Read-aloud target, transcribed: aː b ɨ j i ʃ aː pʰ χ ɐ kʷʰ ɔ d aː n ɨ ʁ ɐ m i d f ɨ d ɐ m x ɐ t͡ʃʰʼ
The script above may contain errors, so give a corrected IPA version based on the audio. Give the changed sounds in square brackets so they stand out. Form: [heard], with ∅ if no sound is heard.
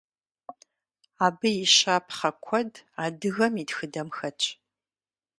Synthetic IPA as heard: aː b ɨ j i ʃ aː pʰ χ ɐ kʷʰ ɔ d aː [d] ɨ [ɣ] ɐ m i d [x] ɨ d ɐ m x ɐ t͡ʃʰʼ